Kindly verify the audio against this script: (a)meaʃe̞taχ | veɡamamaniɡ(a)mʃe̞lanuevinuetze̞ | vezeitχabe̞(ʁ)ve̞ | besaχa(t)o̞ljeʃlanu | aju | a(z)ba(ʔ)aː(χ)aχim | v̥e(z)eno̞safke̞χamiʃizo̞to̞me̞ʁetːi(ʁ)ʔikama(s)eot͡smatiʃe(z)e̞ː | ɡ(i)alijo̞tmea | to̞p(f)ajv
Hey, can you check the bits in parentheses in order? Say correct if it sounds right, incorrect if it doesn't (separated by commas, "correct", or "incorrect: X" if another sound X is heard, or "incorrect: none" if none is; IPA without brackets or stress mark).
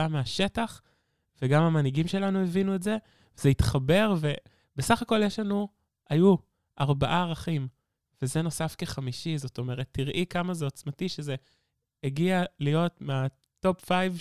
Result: correct, incorrect: i, correct, incorrect: k, incorrect: ʁ, correct, incorrect: ʁ, correct, correct, incorrect: z, correct, correct, correct